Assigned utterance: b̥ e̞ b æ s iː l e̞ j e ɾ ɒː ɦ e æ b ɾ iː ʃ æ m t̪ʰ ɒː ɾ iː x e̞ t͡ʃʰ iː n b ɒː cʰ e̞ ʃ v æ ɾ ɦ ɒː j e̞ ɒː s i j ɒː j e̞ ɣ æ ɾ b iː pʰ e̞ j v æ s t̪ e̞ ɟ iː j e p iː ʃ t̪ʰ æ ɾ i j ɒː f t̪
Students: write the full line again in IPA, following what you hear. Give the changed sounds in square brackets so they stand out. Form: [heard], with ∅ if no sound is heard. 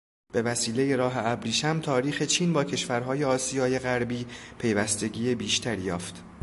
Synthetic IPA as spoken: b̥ e̞ [v] æ s iː l e̞ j e ɾ ɒː ɦ e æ b ɾ iː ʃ æ m t̪ʰ ɒː ɾ iː x e̞ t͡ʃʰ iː n b ɒː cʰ e̞ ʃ v æ ɾ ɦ ɒː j e̞ ɒː s i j ɒː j e̞ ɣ æ ɾ b iː pʰ e̞ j v æ s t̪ e̞ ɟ iː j e [b] iː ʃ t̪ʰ æ ɾ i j ɒː f t̪